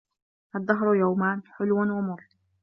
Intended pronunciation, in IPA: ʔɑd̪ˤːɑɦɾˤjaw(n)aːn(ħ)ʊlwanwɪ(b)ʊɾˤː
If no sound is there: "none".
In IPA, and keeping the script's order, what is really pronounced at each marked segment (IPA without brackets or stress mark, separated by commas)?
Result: m, ħ, m